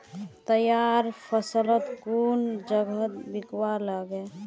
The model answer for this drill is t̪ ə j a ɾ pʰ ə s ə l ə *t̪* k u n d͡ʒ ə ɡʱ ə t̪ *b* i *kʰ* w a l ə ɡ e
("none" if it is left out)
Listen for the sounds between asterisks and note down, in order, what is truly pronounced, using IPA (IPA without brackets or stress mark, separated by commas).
t̪, b, k